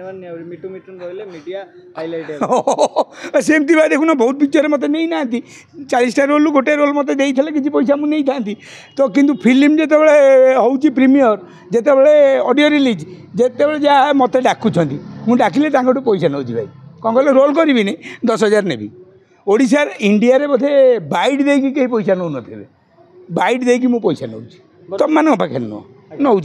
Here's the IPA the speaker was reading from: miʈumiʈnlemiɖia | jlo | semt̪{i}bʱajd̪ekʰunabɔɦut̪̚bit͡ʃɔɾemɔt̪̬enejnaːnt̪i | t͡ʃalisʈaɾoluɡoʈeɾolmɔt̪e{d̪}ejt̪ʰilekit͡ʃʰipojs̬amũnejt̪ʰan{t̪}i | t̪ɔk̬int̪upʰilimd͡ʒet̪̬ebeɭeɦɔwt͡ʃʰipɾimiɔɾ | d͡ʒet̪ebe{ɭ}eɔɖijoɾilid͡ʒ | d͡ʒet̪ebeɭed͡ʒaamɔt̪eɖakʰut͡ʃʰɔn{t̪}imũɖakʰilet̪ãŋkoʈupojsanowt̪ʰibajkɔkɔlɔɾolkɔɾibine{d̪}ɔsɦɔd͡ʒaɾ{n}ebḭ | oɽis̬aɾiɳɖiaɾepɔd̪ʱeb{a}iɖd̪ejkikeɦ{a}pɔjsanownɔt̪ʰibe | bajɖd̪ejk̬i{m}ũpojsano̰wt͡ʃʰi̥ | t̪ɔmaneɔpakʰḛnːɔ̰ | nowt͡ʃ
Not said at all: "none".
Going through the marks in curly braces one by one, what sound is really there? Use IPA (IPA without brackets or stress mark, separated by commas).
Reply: i, d̪, t̪, ɭ, t̪, d̪, n, a, i, m